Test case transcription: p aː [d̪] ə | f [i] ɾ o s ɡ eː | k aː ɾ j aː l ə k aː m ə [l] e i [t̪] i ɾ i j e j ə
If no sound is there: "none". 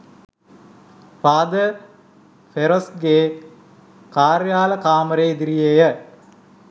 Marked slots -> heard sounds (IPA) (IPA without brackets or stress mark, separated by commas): d̪, e, ɾ, d̪